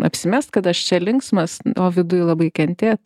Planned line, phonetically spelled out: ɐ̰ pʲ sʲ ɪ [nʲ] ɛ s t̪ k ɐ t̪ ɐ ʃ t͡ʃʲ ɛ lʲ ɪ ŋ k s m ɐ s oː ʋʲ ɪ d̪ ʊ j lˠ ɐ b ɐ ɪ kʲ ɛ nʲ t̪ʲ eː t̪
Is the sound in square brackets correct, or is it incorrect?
incorrect